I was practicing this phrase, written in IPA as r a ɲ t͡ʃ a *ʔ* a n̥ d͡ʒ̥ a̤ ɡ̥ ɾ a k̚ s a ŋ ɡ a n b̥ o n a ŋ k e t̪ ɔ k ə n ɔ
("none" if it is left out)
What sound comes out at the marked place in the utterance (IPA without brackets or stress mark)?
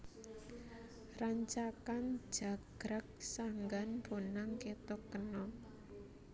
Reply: k